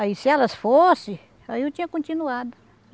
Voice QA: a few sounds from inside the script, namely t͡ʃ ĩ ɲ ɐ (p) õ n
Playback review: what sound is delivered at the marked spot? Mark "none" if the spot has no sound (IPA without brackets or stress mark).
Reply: k